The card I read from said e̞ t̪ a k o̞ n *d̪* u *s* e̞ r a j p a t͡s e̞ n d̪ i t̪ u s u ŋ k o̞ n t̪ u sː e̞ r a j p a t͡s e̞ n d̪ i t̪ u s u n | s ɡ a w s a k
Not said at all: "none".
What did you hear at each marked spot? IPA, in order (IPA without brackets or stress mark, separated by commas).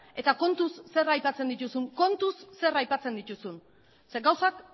t̪, sː